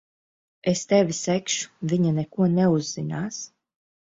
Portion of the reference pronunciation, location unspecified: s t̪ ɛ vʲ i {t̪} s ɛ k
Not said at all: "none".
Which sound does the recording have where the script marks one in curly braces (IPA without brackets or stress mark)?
none